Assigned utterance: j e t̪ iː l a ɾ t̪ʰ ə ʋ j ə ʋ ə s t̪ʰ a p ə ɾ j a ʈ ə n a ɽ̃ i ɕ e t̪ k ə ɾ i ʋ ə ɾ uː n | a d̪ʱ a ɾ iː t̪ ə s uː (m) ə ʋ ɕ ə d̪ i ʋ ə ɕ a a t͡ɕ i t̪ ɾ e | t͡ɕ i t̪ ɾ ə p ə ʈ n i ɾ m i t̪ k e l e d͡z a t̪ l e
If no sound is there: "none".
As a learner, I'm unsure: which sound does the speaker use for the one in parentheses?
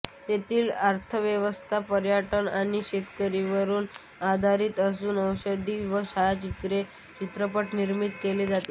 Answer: n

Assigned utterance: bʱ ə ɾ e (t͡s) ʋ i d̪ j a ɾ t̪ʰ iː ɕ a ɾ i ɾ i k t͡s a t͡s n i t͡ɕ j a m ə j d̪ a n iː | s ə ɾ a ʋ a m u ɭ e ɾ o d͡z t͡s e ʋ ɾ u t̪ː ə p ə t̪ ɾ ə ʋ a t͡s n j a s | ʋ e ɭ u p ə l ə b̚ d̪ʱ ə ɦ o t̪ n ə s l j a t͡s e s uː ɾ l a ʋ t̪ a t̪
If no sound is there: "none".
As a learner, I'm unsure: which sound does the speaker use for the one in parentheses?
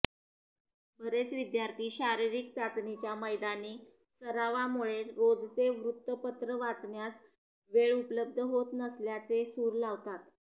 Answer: t͡s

